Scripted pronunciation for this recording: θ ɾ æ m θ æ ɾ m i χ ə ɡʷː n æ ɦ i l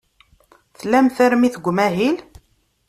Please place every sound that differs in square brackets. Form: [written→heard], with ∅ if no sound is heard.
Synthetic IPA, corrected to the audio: θ [ɾ→l] æ m θ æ ɾ m i [χ→θ] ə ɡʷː [n→m] æ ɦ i l